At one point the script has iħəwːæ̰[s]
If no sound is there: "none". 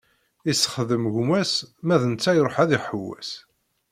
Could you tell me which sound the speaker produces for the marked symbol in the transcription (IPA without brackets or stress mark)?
s